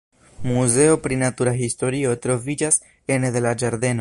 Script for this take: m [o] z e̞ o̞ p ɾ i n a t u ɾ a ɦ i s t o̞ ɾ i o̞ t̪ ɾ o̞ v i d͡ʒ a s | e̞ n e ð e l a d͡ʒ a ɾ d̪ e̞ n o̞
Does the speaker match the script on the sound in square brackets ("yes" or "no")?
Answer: no